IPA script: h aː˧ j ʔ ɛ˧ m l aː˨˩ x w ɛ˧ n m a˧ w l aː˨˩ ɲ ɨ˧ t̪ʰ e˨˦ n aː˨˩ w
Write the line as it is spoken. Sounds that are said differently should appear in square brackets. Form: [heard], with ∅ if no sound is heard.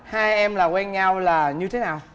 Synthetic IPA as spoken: h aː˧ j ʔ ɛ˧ m l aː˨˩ [k] w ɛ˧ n [ɲ] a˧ w l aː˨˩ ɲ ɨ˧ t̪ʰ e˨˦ n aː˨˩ w